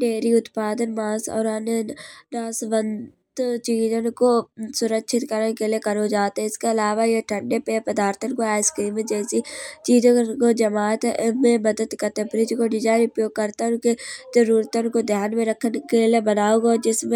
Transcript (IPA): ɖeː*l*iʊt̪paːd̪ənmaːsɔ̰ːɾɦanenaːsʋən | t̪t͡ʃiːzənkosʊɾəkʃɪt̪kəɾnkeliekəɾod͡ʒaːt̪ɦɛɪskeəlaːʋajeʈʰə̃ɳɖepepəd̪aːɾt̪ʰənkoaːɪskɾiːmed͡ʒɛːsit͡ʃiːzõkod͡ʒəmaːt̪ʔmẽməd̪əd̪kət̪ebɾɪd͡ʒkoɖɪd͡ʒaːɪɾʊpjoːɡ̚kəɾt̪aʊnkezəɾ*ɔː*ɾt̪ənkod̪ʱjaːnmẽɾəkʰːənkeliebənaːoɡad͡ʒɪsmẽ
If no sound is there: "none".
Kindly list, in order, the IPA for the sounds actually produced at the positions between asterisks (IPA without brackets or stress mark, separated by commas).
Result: ɾ, uː